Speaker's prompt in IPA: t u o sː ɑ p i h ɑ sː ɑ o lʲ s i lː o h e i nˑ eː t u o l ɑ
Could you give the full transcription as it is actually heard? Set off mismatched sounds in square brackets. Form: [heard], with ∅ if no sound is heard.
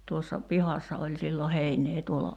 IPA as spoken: t u o sː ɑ p i h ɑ sː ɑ o lʲ s i lː o h e i nˑ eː t u o l ɑ